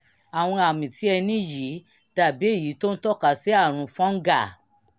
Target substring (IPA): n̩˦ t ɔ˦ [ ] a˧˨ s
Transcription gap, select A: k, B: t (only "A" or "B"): A